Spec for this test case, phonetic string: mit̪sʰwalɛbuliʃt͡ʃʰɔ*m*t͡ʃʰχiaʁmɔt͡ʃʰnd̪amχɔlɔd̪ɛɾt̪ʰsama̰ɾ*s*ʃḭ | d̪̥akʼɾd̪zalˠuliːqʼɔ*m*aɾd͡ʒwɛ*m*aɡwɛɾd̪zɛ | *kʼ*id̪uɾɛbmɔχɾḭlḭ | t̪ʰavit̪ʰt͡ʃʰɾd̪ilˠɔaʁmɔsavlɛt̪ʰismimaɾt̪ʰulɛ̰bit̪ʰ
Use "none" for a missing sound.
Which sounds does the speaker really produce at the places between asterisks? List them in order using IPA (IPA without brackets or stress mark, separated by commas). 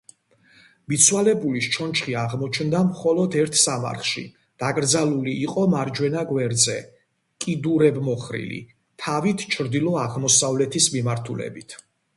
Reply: n, χ, m, n, kʼ